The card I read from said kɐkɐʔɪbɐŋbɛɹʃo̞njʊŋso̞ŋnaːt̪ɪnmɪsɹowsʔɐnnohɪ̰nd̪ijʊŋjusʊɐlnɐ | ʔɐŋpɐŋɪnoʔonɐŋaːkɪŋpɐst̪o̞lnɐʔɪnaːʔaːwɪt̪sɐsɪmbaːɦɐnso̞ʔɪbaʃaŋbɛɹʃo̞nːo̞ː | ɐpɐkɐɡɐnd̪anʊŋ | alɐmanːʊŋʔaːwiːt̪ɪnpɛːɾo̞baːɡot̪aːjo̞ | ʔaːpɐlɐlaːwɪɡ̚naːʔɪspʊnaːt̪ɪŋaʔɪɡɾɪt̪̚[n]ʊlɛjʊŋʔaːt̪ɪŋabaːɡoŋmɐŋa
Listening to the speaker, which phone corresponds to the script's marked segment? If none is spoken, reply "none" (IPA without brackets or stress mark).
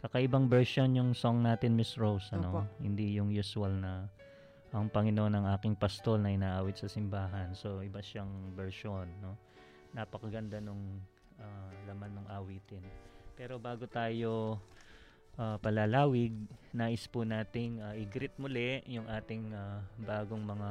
m